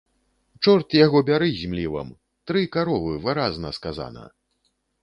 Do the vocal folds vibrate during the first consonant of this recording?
no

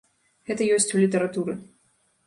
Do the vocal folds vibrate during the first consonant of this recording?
yes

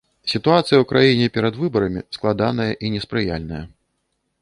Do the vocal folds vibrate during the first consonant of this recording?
no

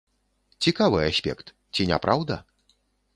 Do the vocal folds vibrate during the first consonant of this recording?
no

